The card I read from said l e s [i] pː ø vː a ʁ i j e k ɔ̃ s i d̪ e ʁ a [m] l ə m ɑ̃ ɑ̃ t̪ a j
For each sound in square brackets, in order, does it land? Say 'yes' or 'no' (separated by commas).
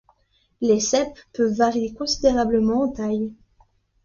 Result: no, no